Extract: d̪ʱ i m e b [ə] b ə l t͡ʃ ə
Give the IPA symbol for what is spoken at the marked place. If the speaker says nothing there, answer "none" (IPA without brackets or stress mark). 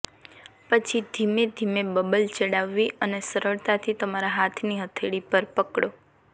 ə